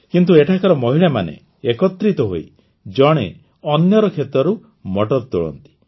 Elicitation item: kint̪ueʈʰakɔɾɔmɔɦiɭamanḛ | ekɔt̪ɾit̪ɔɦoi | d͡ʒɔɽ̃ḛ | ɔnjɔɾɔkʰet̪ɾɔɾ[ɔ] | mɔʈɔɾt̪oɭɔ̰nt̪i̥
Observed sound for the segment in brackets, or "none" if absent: u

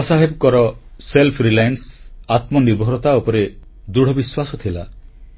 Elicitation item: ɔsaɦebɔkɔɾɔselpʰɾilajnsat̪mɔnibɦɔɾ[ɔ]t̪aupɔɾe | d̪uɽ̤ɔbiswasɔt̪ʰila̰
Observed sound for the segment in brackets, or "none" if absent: ɔ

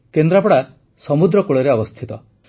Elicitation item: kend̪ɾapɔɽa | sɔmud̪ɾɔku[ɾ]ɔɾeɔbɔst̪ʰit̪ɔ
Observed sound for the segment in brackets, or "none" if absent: ɭ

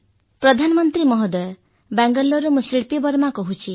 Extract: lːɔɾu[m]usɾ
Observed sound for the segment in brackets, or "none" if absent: m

